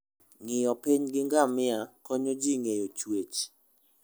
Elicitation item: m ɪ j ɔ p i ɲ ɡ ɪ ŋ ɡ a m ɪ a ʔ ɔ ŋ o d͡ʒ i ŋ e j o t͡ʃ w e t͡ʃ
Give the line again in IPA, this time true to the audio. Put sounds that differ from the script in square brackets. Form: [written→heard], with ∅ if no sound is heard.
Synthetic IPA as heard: [m→ŋ] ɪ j ɔ p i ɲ ɡ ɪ ŋ ɡ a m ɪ a [ʔ→k] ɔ [ŋ→ɲ] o d͡ʒ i ŋ e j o t͡ʃ w e t͡ʃ